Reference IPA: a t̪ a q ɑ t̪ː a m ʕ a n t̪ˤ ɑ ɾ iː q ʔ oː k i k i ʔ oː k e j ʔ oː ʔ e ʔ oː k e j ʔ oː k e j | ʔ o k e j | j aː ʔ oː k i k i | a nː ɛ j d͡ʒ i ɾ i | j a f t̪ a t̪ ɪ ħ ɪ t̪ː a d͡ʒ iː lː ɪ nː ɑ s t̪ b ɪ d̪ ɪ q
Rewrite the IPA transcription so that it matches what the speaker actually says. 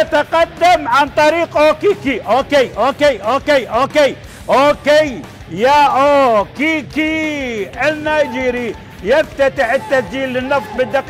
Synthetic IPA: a t̪ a q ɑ d̪ː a m ʕ a n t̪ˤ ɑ ɾ iː q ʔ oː k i k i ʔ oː k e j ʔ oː k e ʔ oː k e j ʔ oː k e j | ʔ o k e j | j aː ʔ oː k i k i | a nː a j d͡ʒ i ɾ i | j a f t̪ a t̪ ɪ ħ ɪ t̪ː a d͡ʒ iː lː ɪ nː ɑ f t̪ b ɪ d̪ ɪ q

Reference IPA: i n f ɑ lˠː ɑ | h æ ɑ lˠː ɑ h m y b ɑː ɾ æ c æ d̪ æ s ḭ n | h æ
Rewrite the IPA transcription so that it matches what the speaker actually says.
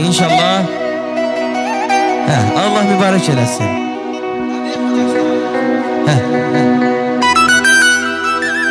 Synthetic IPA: i n ʃ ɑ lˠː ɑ | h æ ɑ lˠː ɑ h m y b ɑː ɾ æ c e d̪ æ s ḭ n | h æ

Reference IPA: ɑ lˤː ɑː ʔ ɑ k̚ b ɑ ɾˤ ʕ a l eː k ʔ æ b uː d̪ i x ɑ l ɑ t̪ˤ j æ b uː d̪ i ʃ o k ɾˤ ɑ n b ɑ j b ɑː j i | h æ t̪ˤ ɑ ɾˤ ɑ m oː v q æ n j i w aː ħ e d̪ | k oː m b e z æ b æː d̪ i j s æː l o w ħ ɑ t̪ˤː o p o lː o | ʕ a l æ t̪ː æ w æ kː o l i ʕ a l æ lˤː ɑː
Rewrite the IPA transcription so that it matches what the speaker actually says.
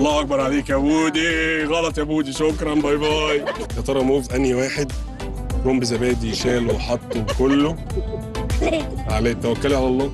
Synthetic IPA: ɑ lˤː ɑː ʔ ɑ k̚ b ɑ ɾˤ ʕ a l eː k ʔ æ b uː d̪ i ɣ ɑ l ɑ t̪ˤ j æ b uː d̪ i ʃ o k ɾˤ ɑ n b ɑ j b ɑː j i | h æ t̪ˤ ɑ ɾˤ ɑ m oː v ʔ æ n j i w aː ħ e d̪ | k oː m b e z æ b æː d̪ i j ʃ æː l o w ħ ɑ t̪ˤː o k o lː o | ʕ a l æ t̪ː æ w æ kː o l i ʕ a l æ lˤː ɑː

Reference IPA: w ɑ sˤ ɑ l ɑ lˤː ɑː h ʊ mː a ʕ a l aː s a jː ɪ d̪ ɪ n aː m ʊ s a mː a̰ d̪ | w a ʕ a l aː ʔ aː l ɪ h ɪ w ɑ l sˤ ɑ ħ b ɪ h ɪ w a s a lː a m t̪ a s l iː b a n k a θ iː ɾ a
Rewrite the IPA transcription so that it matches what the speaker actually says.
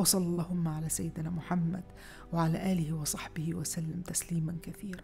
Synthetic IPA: w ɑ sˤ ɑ l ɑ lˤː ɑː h ʊ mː a ʕ a l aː s a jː ɪ d̪ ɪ n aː m ʊ ħ a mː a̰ d̪ | w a ʕ a l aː ʔ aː l ɪ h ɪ w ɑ sˤ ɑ ħ b ɪ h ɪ w a s a lː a m t̪ a s l iː m a n k a θ iː ɾ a

